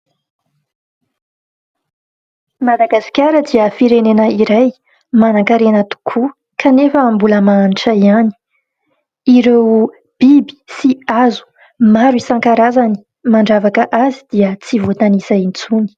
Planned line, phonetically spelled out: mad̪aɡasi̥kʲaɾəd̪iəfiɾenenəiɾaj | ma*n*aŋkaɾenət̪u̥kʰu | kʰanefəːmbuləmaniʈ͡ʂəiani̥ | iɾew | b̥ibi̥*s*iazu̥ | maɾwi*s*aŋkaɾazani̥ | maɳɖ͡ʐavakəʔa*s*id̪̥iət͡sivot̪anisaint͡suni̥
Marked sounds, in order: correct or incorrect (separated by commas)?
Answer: correct, correct, correct, incorrect